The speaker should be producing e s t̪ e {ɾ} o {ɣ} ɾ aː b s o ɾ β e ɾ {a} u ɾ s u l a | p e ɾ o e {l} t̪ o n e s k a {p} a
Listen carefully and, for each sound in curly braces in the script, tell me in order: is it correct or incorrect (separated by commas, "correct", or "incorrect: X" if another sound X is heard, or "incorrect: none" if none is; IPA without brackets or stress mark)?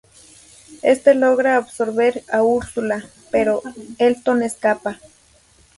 incorrect: l, correct, correct, correct, correct